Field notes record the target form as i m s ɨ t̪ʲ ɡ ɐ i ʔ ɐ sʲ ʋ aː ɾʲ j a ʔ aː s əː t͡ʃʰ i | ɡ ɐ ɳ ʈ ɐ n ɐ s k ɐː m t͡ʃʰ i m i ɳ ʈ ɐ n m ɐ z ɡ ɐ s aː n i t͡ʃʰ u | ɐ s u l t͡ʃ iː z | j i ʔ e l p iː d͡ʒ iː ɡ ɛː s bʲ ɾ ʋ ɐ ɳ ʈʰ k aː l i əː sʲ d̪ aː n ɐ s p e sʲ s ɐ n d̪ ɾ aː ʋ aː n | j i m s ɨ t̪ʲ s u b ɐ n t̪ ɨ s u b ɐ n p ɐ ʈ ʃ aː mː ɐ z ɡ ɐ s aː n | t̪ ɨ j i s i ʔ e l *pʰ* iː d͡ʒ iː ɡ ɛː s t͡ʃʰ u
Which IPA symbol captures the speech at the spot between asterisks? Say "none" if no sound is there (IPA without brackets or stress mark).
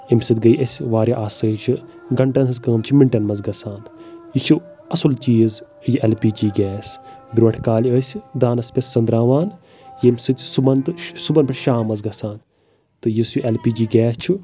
p